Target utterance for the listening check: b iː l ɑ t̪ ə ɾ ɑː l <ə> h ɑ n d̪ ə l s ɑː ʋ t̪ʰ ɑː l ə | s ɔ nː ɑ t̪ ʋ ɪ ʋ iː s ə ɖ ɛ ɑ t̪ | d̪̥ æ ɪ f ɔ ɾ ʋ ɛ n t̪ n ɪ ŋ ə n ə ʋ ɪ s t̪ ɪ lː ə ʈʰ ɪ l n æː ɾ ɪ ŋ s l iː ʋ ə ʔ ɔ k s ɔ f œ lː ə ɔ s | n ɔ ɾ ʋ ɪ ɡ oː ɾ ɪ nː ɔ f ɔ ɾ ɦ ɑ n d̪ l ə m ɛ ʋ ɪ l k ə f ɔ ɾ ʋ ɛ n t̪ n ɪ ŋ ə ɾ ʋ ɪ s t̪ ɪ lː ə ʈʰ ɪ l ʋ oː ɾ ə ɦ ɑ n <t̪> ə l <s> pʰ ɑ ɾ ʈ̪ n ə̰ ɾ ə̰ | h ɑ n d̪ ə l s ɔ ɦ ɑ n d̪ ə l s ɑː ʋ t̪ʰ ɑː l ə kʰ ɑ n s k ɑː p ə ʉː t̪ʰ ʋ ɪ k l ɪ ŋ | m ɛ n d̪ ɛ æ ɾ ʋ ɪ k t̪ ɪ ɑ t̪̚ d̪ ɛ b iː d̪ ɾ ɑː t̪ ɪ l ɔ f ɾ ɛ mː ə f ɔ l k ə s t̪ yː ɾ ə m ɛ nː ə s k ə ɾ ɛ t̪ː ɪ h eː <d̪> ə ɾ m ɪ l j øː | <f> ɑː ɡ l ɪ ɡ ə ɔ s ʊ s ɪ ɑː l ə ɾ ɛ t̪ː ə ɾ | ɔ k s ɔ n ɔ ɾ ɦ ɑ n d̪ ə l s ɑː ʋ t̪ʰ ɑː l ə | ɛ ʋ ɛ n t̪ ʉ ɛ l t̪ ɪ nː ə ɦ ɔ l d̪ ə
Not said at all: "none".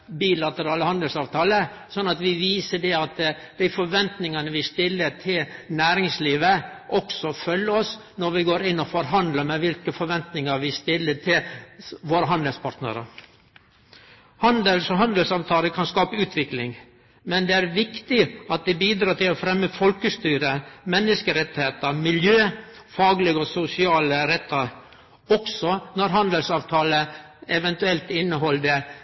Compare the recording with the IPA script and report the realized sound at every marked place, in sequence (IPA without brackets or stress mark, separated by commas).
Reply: ə, d̪, s, t̪, f